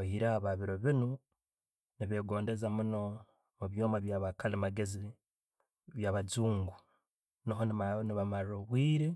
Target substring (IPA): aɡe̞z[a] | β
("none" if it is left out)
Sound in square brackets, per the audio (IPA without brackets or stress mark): i